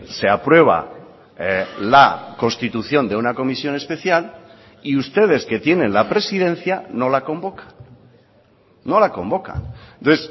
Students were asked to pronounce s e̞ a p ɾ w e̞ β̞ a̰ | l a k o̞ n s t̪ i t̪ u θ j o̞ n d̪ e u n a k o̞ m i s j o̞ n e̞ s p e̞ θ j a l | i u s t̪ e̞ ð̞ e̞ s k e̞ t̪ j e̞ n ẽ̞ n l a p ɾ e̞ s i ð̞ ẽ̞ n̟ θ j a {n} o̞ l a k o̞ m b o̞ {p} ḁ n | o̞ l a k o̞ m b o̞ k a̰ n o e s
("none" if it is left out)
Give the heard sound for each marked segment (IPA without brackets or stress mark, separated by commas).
n, k